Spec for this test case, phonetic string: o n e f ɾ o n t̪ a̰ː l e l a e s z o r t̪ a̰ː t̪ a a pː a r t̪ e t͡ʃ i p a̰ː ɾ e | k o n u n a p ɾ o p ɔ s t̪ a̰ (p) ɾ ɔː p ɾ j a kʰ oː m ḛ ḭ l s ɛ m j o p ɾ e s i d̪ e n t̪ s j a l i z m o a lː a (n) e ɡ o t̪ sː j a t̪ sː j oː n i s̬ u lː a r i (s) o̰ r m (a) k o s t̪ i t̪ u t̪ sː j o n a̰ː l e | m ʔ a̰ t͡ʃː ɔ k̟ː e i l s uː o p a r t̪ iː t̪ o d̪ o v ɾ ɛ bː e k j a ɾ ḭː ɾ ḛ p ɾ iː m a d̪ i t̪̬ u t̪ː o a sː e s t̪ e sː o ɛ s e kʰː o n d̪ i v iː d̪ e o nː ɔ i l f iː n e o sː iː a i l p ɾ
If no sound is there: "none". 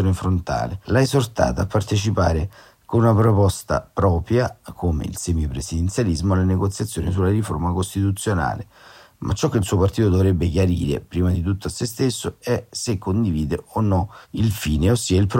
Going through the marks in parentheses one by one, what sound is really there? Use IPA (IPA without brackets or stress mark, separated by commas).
p, n, f, a